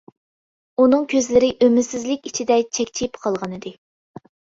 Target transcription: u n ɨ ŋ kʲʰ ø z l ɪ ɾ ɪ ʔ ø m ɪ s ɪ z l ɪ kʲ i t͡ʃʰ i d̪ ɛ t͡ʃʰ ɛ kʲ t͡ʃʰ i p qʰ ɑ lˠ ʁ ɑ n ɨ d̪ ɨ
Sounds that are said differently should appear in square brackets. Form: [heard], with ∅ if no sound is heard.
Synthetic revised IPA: u n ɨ ŋ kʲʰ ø z l ɪ ɾ ɪ ʔ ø m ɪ s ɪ z l ɪ kʲ i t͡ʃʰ i d̪ ɛ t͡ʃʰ ɛ kʲ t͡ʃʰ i p qʰ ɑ lˠ ʁ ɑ n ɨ d̪ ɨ